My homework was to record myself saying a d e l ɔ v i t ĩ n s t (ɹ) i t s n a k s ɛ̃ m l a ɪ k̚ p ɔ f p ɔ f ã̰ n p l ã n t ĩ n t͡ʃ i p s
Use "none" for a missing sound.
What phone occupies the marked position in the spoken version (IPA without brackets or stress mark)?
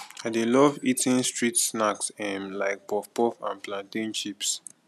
ɹ